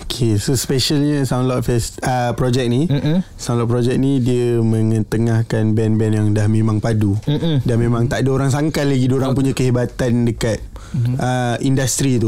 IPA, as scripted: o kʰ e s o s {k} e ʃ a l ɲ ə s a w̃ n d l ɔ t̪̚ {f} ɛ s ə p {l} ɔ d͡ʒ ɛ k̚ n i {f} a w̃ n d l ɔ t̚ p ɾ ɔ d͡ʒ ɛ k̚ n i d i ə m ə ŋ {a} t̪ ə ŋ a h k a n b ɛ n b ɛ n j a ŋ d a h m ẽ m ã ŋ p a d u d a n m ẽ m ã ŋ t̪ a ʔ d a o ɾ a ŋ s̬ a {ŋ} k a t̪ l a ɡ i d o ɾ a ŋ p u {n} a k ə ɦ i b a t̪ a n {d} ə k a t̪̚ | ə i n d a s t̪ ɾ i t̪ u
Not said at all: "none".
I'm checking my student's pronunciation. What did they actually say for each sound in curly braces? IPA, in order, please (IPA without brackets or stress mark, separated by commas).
p, f, ɾ, s, ə, ŋ, ɲ, d